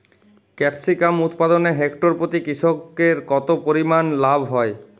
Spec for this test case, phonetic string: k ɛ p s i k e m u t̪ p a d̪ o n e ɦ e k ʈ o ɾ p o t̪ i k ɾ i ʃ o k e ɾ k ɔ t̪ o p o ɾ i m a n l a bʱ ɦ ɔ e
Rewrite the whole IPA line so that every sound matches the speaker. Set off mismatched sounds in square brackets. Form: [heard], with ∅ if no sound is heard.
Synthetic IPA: k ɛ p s i k [a] m u t̪ p a d̪ o n e ɦ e k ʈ o ɾ p o t̪ i k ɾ i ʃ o k e ɾ k ɔ t̪ o p o ɾ i m a n l a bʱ ɦ ɔ e